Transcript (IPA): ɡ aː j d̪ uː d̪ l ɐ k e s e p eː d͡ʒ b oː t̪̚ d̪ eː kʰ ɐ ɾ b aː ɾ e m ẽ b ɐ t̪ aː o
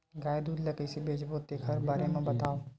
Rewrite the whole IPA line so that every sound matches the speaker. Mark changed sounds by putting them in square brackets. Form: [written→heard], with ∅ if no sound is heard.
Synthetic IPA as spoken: ɡ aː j d̪ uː d̪ l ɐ k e s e [p→b] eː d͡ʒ b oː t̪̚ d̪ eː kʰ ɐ ɾ b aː ɾ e m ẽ b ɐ t̪ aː o